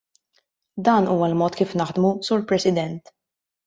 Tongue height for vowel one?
low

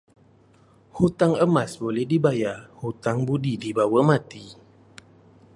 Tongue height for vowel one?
high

